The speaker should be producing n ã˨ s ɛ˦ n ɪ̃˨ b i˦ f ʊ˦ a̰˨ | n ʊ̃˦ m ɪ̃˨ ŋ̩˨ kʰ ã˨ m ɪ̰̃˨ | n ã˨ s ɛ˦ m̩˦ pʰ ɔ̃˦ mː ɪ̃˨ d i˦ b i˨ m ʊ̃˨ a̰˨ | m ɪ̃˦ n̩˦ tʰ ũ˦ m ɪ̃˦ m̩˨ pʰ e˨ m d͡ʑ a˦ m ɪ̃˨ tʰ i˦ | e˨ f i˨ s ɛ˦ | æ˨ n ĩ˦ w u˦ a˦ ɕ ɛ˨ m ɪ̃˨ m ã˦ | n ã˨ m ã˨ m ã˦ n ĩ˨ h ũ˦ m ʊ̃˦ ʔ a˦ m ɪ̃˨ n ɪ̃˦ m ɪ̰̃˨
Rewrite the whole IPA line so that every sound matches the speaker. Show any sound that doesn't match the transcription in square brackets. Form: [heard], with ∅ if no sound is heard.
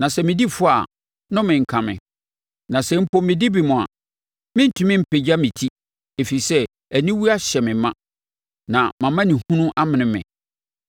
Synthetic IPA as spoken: n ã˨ s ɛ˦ [m] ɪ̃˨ [d] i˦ f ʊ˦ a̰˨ | n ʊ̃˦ m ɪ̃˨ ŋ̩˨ kʰ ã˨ m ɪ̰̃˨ | n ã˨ s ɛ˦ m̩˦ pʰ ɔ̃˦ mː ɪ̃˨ d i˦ b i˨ m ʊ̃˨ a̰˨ | m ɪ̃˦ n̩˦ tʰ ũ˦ m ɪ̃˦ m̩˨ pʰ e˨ [∅] d͡ʑ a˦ m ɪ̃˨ tʰ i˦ | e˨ f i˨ s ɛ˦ | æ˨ n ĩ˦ w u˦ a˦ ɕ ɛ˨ m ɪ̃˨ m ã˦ | n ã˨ m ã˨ m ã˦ n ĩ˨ h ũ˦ [n] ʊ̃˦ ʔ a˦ m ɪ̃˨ n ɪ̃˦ m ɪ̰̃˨

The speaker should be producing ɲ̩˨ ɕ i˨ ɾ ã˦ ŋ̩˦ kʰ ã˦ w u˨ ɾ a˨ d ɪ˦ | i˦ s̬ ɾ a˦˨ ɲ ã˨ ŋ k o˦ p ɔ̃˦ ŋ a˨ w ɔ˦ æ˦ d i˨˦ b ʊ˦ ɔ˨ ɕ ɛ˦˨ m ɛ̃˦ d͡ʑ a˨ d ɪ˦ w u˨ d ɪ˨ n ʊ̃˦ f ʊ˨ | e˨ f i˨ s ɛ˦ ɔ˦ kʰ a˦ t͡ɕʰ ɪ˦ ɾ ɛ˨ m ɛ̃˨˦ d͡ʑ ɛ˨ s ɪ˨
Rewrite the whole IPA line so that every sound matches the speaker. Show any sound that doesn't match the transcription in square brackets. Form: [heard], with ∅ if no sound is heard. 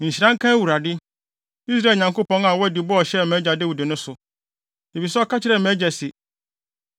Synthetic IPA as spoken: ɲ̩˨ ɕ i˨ ɾ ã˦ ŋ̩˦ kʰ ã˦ w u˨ ɾ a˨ d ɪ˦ | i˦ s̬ ɾ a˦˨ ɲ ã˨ ŋ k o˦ p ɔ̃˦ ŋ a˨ w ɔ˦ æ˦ d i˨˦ b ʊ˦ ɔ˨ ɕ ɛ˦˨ m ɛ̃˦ d͡ʑ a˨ d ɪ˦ w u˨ d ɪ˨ n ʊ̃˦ [s] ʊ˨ | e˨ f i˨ s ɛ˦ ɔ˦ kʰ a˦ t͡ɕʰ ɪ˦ ɾ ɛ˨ m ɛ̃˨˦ d͡ʑ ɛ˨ s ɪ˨

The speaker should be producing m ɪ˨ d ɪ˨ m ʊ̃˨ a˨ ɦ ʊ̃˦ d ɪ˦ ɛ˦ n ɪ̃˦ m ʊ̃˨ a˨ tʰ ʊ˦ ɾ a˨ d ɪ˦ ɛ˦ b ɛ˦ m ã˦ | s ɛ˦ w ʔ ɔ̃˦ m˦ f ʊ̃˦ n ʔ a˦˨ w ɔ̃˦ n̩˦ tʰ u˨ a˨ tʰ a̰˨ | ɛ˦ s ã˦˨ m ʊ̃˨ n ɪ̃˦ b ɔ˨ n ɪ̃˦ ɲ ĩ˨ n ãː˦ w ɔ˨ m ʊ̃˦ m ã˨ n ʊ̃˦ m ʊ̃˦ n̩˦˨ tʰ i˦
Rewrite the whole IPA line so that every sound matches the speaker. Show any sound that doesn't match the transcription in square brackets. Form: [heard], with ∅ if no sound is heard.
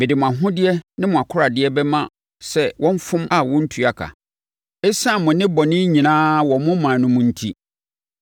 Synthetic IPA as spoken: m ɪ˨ d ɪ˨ m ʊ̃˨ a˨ ɦ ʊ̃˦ d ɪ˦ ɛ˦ n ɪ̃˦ m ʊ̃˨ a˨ [kʰ] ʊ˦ ɾ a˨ d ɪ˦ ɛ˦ b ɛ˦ m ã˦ | s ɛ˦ w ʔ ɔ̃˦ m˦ f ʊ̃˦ [m] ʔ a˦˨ w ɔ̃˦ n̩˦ tʰ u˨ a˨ [kʰ] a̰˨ | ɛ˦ s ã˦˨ m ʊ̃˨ n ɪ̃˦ b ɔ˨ n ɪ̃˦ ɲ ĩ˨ n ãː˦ w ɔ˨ m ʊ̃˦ m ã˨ n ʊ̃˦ m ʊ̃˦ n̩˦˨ tʰ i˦

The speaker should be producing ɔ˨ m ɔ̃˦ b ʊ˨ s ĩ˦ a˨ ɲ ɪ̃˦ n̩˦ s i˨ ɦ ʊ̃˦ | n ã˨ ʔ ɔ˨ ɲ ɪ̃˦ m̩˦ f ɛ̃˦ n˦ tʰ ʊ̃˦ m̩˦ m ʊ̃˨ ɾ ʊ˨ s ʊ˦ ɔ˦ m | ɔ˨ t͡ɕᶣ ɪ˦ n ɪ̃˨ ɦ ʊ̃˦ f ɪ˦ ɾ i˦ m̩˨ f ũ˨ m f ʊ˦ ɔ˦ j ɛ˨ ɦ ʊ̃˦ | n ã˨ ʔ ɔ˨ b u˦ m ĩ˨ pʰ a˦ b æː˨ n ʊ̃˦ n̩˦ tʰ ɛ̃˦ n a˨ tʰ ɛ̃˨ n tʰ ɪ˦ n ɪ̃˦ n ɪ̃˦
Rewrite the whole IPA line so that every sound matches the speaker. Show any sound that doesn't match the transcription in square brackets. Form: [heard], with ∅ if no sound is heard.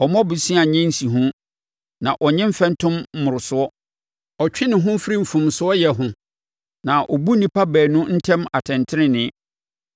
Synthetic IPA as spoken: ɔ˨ m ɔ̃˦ b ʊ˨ s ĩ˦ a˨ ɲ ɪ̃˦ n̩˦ s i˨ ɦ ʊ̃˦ | n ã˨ ʔ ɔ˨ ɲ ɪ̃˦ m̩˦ f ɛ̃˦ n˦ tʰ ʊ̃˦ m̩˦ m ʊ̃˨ ɾ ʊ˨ s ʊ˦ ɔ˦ [∅] | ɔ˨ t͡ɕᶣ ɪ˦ n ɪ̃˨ ɦ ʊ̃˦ f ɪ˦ ɾ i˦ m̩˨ f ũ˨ m [s] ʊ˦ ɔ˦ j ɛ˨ ɦ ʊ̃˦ | n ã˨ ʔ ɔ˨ b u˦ [n] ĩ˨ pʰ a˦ b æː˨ n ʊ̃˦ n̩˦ tʰ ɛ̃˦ [m] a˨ tʰ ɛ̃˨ n tʰ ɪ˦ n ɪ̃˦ n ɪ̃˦

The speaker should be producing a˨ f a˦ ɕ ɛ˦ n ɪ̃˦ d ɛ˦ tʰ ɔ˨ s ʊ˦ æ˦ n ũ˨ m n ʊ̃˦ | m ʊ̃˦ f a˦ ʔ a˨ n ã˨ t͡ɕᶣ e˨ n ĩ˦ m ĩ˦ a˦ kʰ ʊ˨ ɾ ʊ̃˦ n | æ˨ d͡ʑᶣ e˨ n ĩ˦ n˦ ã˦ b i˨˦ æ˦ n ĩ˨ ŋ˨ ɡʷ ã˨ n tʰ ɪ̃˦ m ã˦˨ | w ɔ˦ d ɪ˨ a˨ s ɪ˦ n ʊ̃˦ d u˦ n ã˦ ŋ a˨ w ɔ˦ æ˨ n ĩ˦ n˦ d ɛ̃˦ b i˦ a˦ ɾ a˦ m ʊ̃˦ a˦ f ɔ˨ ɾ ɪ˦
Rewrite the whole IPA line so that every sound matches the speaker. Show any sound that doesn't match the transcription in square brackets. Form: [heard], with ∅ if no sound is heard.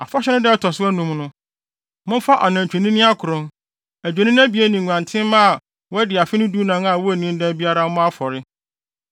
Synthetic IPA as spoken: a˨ f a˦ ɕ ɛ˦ n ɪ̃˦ d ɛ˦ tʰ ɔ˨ s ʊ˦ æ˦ n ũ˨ m n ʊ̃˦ | m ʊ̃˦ f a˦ ʔ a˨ n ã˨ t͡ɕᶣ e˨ n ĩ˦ [n] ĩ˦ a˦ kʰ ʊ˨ ɾ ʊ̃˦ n | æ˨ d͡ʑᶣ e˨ n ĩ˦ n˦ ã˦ b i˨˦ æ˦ n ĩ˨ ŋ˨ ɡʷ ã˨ n tʰ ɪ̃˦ m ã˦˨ | w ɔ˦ d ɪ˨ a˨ [f] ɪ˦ n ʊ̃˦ d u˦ n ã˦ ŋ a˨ w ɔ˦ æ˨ n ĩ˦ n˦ d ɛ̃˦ b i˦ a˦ ɾ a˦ m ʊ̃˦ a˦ f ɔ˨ ɾ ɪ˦

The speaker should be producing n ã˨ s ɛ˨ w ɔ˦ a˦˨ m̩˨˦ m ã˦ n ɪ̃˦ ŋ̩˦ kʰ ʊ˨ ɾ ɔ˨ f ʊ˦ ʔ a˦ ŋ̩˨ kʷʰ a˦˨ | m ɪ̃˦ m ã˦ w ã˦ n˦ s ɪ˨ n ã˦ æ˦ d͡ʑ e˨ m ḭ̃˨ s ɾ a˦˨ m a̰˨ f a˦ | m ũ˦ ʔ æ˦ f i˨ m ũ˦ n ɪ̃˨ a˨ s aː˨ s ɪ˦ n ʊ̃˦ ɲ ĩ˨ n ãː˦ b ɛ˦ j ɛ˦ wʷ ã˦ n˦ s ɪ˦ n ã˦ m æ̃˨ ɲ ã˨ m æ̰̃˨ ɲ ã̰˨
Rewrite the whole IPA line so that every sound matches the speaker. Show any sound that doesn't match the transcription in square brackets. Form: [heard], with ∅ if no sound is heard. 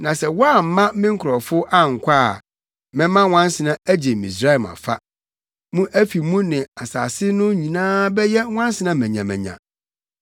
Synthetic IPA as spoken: n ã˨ s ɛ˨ w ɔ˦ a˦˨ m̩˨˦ m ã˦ [m] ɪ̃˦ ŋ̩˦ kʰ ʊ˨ ɾ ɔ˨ f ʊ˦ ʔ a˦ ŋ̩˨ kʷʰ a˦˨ | m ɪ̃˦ m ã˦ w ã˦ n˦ s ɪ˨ n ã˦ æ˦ d͡ʑ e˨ m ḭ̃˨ s ɾ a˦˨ m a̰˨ f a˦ | m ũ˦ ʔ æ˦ f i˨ m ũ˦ n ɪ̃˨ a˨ s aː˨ s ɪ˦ n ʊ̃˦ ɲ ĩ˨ n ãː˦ b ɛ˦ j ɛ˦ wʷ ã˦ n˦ s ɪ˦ n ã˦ m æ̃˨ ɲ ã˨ m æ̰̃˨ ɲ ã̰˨

